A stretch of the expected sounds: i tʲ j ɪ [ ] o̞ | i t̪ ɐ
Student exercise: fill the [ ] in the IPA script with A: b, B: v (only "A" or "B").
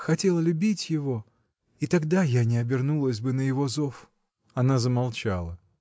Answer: B